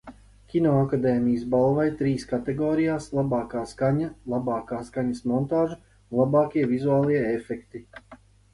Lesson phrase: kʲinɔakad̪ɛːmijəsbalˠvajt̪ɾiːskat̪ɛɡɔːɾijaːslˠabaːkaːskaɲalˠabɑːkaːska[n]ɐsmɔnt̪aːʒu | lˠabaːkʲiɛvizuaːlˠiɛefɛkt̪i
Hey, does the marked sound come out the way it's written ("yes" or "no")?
no